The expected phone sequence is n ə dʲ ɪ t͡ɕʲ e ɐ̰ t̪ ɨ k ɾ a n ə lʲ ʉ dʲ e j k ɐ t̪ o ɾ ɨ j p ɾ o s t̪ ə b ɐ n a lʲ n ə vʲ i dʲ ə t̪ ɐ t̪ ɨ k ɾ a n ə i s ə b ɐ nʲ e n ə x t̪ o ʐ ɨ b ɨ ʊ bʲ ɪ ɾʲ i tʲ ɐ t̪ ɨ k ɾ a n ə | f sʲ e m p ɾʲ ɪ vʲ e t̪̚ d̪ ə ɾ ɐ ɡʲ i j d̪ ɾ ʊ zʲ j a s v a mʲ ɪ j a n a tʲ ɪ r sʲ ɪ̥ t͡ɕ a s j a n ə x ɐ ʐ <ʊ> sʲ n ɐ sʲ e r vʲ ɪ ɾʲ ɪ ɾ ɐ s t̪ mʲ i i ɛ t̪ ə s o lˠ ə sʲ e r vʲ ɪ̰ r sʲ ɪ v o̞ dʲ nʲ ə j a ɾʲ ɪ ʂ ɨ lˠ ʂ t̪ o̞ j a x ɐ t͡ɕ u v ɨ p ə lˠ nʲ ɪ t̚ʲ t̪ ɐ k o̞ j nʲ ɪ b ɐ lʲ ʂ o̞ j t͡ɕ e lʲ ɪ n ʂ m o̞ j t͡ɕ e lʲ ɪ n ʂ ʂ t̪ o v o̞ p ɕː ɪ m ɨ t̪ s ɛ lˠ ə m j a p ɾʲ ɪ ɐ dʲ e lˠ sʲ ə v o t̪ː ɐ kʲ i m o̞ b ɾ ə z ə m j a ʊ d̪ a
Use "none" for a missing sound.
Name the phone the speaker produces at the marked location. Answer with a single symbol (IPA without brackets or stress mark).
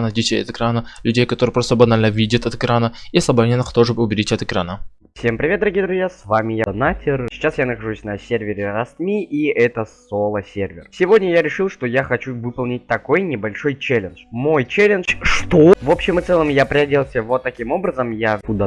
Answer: u